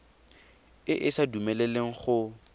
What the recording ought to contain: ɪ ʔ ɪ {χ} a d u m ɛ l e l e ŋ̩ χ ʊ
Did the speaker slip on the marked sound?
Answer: yes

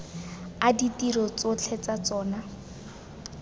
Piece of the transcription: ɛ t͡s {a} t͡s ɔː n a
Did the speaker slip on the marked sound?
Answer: no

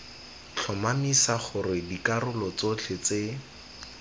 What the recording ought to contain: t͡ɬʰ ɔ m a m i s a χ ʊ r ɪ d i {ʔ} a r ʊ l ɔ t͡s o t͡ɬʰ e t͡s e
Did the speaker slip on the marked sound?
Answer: yes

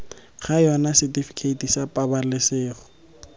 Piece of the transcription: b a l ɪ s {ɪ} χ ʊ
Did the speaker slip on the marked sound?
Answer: yes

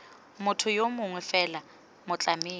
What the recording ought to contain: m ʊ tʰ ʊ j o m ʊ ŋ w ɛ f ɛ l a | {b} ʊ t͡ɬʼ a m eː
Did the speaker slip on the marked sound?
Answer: yes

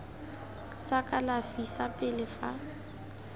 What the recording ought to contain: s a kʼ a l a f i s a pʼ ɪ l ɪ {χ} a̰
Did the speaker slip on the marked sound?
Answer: yes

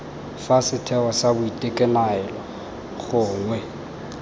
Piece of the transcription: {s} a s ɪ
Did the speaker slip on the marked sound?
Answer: yes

